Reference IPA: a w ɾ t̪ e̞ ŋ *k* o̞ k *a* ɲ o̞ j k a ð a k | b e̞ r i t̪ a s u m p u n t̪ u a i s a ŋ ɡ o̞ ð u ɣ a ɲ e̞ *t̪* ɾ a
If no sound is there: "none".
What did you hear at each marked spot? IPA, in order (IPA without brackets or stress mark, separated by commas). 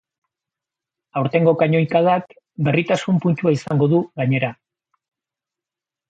ɡ, a, none